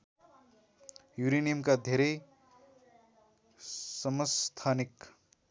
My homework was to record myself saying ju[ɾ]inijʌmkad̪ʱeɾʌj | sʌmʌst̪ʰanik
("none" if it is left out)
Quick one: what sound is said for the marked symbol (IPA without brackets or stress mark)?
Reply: ɾ